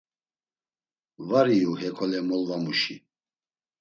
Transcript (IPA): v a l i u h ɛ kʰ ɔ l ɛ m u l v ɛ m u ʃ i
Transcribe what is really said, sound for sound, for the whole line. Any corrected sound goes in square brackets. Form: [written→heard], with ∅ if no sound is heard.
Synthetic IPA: v a [l→ɾ] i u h ɛ kʰ ɔ l ɛ m [u→ɔ] l v [ɛ→a] m u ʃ i